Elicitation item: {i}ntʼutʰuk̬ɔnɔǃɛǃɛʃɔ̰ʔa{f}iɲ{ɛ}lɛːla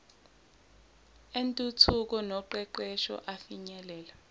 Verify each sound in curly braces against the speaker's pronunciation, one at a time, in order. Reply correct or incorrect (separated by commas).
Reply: incorrect, correct, correct